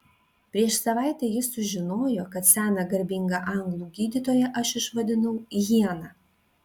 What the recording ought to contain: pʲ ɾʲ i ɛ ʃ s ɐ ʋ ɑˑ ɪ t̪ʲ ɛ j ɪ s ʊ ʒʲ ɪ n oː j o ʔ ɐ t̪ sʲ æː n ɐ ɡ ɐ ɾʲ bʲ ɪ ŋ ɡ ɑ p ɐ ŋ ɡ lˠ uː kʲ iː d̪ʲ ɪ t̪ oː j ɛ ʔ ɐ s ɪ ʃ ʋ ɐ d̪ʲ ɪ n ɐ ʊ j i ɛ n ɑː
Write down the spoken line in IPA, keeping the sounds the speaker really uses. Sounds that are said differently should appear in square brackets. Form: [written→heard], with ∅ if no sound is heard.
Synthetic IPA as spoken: pʲ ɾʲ i ɛ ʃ s ɐ ʋ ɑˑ ɪ t̪ʲ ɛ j ɪ s ʊ ʒʲ ɪ n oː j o [ʔ→k] ɐ t̪ sʲ æː n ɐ ɡ ɐ ɾʲ bʲ ɪ ŋ ɡ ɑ [p→ʔ] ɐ ŋ ɡ lˠ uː [kʲ→ɡʲ] iː d̪ʲ ɪ t̪ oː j ɛ ʔ ɐ [s→ʃ] ɪ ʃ ʋ ɐ d̪ʲ ɪ n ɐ ʊ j i ɛ n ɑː

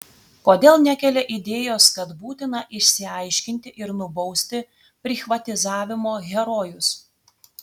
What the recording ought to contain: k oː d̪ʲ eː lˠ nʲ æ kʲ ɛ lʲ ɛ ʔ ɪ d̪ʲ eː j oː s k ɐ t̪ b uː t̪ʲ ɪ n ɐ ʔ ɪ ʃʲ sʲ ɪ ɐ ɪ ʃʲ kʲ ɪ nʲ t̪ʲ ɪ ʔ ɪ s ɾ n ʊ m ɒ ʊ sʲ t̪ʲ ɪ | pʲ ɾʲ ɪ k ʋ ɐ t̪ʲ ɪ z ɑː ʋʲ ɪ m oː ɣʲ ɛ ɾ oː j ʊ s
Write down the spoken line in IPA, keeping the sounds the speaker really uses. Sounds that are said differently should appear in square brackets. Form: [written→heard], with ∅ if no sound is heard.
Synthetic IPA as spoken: k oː d̪ʲ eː lˠ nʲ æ kʲ ɛ lʲ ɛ ʔ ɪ d̪ʲ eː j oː s k ɐ t̪ b uː t̪ʲ ɪ n ɐ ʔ ɪ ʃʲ sʲ ɪ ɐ ɪ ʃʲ kʲ ɪ nʲ t̪ʲ ɪ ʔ ɪ [s→∅] ɾ n ʊ [m→b] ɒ ʊ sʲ t̪ʲ ɪ | pʲ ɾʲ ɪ [k→x] ʋ ɐ t̪ʲ ɪ z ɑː ʋʲ ɪ m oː ɣʲ ɛ ɾ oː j ʊ s

